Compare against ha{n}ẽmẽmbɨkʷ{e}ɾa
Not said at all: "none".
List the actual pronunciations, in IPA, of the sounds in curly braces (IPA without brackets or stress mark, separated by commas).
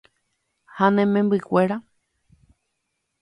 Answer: n, e